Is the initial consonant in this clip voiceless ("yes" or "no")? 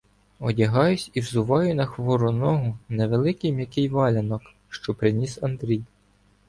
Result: no